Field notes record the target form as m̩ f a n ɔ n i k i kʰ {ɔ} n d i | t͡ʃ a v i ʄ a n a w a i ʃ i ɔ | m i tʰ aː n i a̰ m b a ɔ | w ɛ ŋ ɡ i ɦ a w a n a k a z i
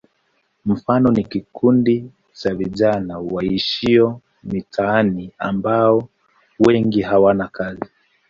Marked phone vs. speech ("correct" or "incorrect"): incorrect